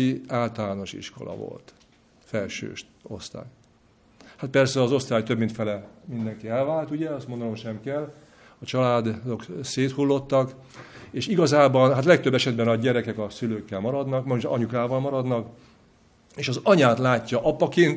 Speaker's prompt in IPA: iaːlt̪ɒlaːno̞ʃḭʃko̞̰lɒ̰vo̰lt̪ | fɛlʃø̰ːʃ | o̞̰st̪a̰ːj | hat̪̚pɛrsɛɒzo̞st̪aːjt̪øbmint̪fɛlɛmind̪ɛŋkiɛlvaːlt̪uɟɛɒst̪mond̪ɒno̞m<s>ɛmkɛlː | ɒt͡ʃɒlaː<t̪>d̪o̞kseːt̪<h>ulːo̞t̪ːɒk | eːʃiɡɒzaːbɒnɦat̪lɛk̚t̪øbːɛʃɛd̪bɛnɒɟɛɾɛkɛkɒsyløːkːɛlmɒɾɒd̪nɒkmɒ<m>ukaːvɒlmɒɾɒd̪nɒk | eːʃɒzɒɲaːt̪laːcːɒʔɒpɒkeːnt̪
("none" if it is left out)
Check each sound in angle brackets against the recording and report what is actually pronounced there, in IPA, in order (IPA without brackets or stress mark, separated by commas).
ʃ, d̪, h, ɲ